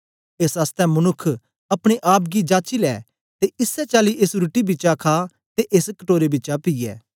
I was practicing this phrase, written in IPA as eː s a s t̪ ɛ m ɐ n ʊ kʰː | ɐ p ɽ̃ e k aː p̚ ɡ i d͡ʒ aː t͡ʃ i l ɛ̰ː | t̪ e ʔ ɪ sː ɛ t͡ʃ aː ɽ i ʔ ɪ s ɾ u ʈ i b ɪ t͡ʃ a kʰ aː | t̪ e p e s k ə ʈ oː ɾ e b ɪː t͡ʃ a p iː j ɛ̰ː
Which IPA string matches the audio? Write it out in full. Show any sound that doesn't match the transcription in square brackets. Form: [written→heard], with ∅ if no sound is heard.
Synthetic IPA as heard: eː s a s t̪ ɛ m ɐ n ʊ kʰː | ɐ p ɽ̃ e [k→ʔ] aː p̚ ɡ i d͡ʒ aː t͡ʃ i l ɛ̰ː | t̪ e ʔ ɪ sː ɛ t͡ʃ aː [ɽ→l] i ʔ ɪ s ɾ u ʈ i b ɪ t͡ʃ a kʰ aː | t̪ e [p→ʔ] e s k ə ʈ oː ɾ e b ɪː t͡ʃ a p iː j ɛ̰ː